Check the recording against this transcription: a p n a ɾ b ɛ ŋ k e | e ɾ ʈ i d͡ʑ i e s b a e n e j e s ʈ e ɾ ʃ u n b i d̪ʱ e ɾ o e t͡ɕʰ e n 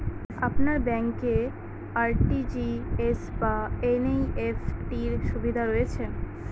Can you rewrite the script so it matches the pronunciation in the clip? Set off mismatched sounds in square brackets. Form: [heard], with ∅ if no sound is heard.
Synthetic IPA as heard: a p n a ɾ b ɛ ŋ k e | [a] ɾ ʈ i d͡ʑ i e s b a e n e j e [f] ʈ [i] ɾ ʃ u [∅] b i d̪ʱ [a] ɾ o e t͡ɕʰ e n